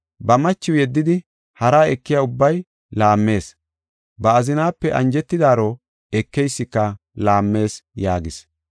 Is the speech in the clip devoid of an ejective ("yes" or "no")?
yes